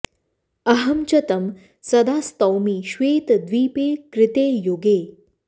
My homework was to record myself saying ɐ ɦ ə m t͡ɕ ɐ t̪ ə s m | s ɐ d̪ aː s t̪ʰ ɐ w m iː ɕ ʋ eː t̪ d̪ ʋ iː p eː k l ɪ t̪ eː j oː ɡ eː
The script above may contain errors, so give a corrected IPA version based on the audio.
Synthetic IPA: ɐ ɦ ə m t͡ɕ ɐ t̪ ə m | s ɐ d̪ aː s t̪ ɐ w m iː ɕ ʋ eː t̪ d̪ ʋ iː p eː k ɾ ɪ t̪ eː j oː ɡ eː